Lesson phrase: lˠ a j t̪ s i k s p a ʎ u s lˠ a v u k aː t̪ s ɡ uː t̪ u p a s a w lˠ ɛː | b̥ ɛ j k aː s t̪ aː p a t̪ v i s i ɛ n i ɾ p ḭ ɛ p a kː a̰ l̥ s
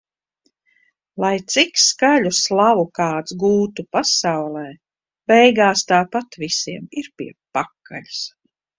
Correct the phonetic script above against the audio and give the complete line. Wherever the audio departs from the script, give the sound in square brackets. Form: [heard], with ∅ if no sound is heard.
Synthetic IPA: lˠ a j t̪ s i k s [k] a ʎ u s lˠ a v u k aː t̪ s ɡ uː t̪ u p a s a w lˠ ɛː | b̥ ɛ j [ɡ] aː s t̪ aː p a t̪ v i s i ɛ [m] i ɾ p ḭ ɛ p a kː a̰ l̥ s